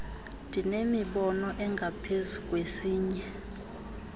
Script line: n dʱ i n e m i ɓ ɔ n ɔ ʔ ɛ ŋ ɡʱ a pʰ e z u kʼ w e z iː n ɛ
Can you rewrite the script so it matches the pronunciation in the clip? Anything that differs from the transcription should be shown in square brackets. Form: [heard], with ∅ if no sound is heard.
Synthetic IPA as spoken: n dʱ i n e m i ɓ ɔ n ɔ ʔ ɛ ŋ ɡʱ a pʰ e z u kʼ w e [s] iː [ɲ] ɛ